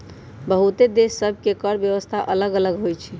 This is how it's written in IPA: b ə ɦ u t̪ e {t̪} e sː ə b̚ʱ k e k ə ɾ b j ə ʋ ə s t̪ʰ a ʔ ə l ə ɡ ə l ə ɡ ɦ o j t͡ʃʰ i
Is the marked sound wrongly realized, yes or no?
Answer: yes